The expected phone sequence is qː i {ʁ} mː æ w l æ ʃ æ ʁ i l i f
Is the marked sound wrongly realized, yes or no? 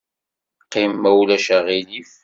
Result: yes